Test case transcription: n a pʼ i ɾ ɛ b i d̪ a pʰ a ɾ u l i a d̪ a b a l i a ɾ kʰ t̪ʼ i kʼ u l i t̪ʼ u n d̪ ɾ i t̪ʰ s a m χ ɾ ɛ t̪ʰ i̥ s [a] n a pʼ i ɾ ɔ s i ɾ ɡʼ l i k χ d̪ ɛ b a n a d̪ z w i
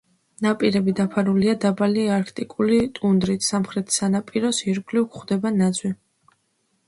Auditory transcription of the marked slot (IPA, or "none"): a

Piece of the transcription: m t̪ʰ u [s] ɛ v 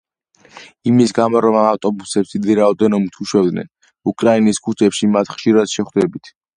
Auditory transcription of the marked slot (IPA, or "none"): ʃ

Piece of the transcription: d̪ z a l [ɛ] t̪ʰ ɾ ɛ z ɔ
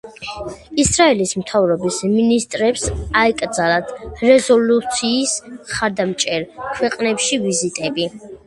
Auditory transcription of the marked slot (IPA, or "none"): a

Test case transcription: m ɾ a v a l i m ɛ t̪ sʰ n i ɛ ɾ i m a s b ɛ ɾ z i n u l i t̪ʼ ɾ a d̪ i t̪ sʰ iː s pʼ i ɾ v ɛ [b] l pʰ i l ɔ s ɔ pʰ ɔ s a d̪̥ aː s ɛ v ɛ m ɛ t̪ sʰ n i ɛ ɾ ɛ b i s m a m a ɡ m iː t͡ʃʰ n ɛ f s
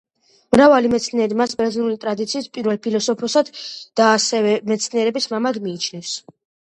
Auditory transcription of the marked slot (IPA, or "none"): none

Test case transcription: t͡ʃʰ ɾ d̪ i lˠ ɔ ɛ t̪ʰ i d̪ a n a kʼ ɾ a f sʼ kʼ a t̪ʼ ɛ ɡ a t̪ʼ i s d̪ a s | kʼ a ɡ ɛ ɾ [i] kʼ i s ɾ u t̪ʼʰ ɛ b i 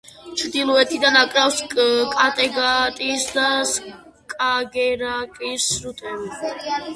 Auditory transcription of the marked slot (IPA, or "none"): a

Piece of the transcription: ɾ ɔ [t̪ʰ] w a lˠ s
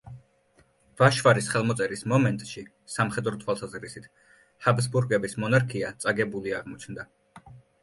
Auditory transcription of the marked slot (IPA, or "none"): t̪ʰ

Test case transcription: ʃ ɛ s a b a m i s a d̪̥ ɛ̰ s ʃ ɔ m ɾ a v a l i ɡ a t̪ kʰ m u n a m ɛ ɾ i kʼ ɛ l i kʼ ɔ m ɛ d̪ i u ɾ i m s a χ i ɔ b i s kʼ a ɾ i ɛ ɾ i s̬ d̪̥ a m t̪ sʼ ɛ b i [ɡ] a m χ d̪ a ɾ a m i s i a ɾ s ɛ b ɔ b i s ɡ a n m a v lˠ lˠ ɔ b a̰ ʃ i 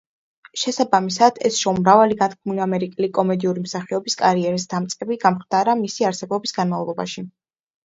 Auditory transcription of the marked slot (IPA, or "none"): ɡ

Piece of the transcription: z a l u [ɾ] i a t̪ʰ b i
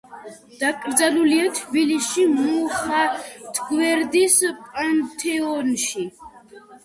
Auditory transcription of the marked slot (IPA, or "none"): l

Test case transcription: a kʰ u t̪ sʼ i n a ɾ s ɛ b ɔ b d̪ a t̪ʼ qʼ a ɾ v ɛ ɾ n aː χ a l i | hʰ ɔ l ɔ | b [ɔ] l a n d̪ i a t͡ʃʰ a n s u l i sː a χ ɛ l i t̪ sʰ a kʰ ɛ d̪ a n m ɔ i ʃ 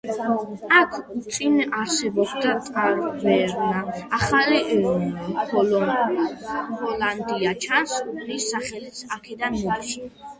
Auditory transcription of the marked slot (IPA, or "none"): ɔ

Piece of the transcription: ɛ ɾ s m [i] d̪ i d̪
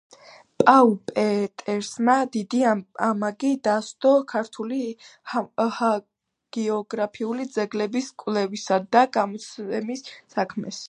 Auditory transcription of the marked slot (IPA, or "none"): a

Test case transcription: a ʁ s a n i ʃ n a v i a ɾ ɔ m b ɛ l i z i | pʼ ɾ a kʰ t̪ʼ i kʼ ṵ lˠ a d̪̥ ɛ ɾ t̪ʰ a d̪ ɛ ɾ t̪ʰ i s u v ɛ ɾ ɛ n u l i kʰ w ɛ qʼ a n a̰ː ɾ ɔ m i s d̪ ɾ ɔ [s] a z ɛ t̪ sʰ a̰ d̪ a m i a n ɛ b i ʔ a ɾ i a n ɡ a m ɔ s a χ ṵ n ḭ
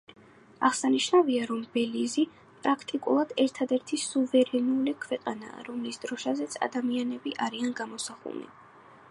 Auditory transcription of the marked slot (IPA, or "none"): ʃ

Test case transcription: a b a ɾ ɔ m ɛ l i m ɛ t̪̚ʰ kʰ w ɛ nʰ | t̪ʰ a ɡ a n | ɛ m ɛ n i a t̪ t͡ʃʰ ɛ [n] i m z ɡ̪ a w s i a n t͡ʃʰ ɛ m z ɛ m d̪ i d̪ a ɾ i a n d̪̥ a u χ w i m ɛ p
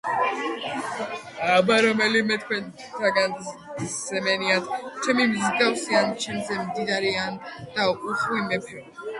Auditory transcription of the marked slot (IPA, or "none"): m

